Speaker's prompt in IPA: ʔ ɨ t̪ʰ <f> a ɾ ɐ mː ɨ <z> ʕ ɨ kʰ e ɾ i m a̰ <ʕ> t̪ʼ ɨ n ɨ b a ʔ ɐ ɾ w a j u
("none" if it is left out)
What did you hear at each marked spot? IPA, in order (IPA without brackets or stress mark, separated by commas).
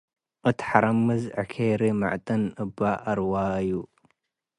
ħ, z, ʕ